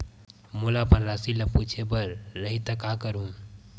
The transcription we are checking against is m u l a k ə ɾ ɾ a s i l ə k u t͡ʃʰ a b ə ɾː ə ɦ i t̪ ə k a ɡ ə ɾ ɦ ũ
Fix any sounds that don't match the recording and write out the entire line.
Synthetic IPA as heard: m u l a p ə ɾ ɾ a s i l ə p u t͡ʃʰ e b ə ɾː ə ɦ i t̪ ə k a k ə ɾ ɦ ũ